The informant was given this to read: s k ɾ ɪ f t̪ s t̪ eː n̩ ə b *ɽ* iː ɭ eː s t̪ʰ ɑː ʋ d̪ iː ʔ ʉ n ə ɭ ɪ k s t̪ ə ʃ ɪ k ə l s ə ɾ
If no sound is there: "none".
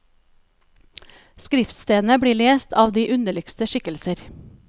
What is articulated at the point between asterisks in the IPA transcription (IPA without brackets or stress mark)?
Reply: ɽ